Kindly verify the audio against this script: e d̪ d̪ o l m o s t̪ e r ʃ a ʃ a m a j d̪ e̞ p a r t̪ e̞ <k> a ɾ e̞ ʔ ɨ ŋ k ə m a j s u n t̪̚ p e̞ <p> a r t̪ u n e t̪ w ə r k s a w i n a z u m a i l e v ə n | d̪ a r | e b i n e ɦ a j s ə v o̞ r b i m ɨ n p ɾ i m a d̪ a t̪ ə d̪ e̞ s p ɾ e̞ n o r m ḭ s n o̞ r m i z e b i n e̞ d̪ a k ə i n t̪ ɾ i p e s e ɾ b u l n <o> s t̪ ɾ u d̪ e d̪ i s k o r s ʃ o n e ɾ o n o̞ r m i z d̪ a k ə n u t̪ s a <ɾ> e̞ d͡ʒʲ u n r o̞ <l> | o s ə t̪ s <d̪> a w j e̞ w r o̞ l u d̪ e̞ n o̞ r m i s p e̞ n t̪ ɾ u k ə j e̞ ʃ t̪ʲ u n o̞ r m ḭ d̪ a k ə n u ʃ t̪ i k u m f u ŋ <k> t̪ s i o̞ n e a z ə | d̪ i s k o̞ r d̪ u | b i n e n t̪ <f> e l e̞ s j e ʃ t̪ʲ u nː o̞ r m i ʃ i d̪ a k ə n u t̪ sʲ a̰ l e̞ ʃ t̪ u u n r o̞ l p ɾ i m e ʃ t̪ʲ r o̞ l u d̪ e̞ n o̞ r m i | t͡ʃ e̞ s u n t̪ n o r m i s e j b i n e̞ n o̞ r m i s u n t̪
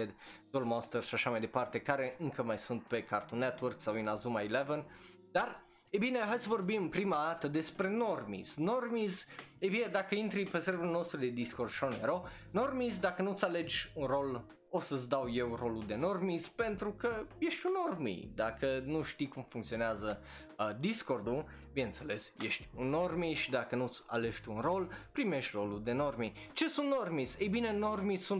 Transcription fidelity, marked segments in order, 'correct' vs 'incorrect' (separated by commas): correct, incorrect, correct, incorrect, correct, correct, correct, incorrect